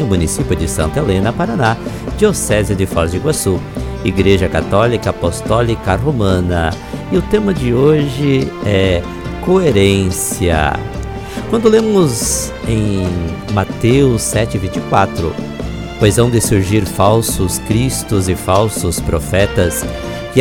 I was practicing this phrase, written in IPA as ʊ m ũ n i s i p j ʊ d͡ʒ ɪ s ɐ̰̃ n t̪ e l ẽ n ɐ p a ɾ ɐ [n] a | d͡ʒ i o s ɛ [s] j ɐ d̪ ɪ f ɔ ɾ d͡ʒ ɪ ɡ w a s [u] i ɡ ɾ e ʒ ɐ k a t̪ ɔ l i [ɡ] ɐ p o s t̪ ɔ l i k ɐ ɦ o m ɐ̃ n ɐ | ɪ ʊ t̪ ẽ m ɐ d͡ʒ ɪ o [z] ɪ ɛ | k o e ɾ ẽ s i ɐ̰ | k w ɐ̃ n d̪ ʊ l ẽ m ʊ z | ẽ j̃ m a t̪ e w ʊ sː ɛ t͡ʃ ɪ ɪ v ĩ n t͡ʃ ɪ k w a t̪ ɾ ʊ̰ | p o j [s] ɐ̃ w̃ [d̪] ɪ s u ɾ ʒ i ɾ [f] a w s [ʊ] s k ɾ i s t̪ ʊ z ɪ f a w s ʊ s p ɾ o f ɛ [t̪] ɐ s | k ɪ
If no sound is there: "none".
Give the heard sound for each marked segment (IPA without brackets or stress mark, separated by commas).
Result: n, z, u, k, ʒ, z, d̪, f, ʊ, t̪